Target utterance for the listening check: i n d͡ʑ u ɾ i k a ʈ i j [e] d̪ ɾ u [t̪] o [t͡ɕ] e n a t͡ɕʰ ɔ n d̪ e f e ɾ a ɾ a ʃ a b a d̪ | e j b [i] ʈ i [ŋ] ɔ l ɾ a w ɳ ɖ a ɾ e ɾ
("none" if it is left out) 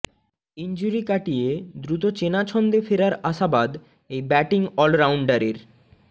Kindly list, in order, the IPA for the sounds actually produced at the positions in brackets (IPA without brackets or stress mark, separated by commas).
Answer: e, t̪, t͡ɕ, ɛ, ŋ